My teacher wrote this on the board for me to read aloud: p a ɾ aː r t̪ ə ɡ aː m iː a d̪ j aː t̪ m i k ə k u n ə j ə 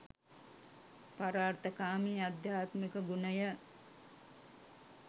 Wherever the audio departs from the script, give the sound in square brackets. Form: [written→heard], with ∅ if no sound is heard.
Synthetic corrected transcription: p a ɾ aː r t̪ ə [ɡ→k] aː m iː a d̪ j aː t̪ m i k ə [k→ɡ] u n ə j ə

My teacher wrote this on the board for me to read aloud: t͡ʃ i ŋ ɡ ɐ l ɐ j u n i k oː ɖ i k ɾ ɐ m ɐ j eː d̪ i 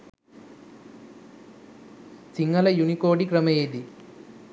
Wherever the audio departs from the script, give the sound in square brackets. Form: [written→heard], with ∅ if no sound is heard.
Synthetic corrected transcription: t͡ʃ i ŋ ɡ ɐ l ɐ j u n i k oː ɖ i k ɾ ɐ m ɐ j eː d̪ i

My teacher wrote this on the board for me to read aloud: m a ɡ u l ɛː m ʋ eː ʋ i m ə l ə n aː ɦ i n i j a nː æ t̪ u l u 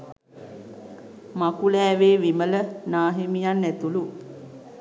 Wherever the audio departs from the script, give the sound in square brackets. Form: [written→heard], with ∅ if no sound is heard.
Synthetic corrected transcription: m a [ɡ→k] u l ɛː [m→∅] ʋ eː ʋ i m ə l ə n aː ɦ i [n→m] i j a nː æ t̪ u l u

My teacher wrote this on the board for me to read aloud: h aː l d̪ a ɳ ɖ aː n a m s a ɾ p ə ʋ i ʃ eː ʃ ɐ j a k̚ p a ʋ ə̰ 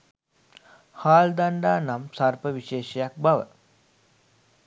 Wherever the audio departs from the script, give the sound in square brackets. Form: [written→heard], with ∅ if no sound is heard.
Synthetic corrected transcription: h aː l d̪ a ɳ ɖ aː n a m s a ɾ p ə ʋ i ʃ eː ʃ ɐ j a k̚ [p→b] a ʋ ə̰

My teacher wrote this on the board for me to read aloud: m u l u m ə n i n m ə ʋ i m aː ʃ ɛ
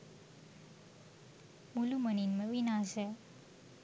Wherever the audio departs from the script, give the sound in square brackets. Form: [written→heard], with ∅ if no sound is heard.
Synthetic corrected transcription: m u l u m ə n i n m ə ʋ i [m→n] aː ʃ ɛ

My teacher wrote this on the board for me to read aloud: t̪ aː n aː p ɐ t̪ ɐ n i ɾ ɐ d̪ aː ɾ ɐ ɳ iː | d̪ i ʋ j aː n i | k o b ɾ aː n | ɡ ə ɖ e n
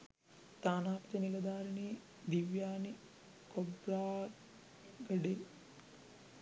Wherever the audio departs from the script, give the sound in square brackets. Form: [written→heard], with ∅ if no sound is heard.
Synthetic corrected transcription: t̪ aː n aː p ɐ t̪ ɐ n i [ɾ→l] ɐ d̪ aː ɾ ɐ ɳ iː | d̪ i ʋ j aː n i | k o b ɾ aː [n→∅] | ɡ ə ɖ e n

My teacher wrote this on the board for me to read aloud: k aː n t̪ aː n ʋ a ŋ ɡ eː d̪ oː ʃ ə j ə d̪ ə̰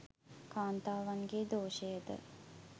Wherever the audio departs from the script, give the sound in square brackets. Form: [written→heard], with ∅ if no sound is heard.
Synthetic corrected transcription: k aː n t̪ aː [n→∅] ʋ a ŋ ɡ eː d̪ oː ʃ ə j ə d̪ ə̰

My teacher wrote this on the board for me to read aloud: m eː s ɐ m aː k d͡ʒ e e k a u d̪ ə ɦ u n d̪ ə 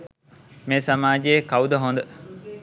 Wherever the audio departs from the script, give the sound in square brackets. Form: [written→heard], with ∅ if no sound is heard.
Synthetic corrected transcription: m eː s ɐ m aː [k→∅] d͡ʒ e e k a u d̪ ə ɦ [u→o] n d̪ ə

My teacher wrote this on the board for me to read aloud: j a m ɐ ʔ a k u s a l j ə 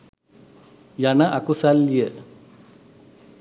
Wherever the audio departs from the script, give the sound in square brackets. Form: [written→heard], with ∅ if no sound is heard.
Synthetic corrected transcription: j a [m→n] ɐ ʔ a k u s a l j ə

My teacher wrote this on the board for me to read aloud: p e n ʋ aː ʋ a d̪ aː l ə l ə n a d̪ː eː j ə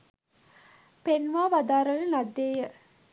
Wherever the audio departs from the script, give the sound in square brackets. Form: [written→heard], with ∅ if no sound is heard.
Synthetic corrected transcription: p e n ʋ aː ʋ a d̪ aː [l→ɾ] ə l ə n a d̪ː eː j ə

